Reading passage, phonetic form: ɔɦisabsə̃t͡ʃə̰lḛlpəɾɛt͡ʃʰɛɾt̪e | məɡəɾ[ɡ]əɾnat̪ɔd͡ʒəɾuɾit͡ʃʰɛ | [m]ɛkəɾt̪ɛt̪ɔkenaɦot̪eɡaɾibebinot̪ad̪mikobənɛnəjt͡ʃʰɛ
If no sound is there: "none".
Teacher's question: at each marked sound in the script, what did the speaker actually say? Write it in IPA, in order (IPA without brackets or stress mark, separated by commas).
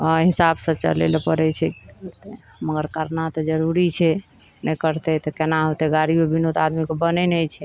k, n